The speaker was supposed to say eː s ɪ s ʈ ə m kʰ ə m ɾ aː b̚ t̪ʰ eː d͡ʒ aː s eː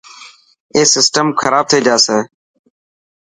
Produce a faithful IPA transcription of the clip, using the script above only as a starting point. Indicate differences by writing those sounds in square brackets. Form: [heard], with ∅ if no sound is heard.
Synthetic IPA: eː s ɪ s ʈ ə m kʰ ə [∅] ɾ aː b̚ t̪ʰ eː d͡ʒ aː s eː